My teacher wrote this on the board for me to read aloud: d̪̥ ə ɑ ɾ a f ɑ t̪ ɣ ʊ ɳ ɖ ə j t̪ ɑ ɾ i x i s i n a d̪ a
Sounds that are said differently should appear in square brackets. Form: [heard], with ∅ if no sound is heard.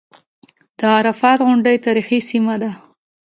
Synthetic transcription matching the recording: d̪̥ ə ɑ ɾ a f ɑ t̪ ɣ ʊ ɳ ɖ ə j t̪ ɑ ɾ i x i s i [m] a d̪ a